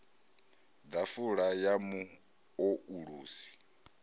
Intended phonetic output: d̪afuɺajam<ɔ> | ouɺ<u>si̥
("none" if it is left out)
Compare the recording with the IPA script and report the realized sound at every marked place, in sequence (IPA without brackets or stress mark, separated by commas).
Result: u, uː